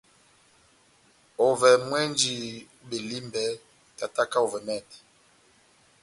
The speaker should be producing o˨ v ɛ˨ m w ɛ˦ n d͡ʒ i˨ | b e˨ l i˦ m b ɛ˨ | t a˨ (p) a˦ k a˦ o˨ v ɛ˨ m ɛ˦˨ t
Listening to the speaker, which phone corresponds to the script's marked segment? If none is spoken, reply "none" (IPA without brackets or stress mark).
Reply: t